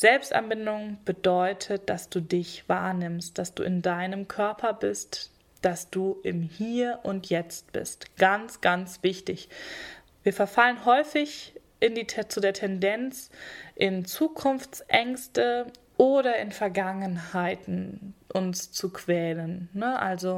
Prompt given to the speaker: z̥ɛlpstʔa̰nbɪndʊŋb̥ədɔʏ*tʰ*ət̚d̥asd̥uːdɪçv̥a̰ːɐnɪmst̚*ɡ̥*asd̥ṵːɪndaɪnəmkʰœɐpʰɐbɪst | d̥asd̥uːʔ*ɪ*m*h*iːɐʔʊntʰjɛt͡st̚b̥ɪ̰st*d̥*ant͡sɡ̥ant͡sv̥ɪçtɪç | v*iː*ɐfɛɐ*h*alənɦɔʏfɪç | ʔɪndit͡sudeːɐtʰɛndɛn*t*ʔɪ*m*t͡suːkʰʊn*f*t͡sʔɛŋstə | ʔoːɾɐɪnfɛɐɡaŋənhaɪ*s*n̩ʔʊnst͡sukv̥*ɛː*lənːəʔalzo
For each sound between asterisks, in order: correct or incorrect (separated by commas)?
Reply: correct, incorrect, correct, correct, incorrect, correct, incorrect, incorrect, incorrect, correct, incorrect, correct